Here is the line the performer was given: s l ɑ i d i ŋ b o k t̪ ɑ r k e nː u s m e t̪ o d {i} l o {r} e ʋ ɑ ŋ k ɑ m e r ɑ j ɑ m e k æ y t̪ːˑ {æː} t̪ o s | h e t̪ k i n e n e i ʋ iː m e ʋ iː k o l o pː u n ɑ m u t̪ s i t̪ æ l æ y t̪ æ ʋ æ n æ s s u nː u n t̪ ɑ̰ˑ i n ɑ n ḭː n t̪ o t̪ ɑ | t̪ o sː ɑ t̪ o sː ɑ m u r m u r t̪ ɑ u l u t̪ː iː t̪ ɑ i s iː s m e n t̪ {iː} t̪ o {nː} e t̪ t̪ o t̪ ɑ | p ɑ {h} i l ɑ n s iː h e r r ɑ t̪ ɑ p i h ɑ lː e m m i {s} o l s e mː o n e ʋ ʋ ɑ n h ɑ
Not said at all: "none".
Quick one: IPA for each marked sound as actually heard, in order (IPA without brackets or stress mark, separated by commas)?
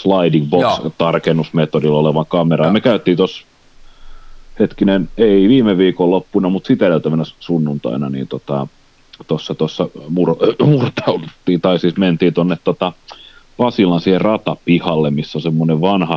i, l, iː, iː, nː, s, sː